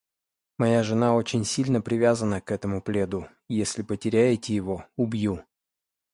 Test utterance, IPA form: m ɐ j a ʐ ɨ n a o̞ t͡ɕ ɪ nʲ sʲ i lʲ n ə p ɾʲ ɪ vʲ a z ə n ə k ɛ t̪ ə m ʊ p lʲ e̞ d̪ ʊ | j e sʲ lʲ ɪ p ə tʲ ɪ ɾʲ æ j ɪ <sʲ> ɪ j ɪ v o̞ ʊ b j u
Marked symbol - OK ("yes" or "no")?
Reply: no